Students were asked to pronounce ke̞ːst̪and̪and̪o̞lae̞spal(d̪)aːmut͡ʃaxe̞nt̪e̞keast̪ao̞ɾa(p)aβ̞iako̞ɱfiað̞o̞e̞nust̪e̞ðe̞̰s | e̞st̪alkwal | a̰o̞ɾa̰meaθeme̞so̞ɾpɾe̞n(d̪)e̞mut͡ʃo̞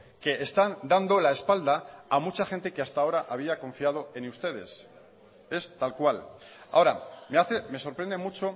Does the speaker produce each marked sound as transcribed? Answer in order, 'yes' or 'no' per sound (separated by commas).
yes, no, yes